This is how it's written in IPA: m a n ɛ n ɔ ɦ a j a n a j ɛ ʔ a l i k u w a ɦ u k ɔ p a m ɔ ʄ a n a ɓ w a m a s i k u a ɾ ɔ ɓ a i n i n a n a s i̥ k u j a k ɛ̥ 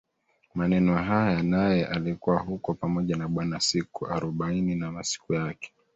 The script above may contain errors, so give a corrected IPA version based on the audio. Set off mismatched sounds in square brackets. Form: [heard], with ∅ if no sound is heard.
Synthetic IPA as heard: m a n ɛ n ɔ ɦ a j a n a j ɛ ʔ a l i k u w a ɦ u k ɔ p a m ɔ ʄ a n a ɓ w a [n] a s i k u a ɾ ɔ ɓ a i n i n a [m] a s i̥ k u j a k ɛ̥

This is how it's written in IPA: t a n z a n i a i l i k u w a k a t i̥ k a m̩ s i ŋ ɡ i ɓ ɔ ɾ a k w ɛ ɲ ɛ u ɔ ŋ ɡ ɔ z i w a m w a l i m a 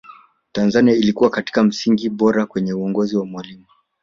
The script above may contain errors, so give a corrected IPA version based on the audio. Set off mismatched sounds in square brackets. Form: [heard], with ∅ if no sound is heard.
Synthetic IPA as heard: t a n z a n i a i l i k u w a k a t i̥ k a m̩ s i ŋ ɡ i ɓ ɔ ɾ a k w ɛ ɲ ɛ u ɔ ŋ ɡ ɔ z i w a m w a l i m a

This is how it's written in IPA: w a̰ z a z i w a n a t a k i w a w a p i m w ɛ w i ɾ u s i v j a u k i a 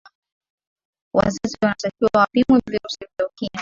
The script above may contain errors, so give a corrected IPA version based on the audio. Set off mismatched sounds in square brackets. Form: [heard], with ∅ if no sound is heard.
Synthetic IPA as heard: w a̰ z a z i w a n a t a k i w a w a p i m w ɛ [v] i ɾ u s i v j a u k i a

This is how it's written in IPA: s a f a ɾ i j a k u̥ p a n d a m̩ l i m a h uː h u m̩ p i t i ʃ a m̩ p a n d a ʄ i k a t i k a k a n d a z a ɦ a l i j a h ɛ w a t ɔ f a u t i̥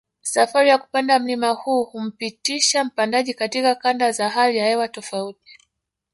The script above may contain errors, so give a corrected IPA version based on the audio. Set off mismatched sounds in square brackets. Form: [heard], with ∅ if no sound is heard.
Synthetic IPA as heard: s a f a ɾ i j a k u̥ p a n d a m̩ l i m a h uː h u m̩ p i t i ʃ a m̩ p a n d a ʄ i k a t i k a k a n d a z a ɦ a l i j a h ɛ w a t ɔ f a u t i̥

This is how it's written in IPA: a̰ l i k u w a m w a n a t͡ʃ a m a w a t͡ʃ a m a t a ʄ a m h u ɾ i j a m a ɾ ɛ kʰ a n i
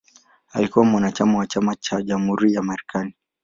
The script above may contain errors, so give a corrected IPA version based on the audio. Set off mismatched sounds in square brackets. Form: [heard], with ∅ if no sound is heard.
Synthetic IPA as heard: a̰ l i k u w a m w a n a t͡ʃ a m a w a t͡ʃ a m a [t͡ʃ] a ʄ a m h u ɾ i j a m a ɾ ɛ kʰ a n i

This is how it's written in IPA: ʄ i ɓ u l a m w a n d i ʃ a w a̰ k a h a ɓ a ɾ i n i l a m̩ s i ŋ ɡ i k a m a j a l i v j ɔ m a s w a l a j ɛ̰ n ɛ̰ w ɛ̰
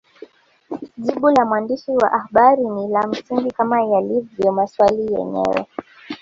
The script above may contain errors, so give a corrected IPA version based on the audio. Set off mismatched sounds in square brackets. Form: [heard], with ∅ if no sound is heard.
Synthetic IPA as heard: ʄ i ɓ u l a m w a n d i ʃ [i] w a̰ [ʔ] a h a ɓ a ɾ i n i l a m̩ s i ŋ ɡ i k a m a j a l i v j ɔ m a s w a l [i] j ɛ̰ [ɲ] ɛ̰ w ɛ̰

